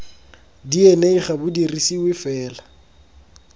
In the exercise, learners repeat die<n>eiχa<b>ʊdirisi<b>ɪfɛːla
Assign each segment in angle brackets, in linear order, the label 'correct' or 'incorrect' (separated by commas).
correct, correct, incorrect